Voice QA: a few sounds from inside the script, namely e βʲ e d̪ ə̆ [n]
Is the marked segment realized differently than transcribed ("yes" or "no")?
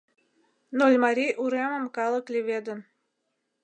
no